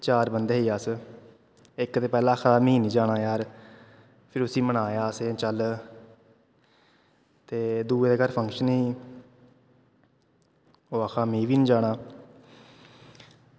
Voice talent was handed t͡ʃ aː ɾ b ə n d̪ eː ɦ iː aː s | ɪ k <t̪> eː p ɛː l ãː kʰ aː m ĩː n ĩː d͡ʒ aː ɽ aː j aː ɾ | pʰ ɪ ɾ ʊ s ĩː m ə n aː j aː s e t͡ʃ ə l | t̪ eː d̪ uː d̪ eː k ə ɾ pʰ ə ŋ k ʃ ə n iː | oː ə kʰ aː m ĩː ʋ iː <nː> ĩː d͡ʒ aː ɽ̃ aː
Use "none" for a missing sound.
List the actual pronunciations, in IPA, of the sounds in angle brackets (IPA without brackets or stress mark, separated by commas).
t̪, n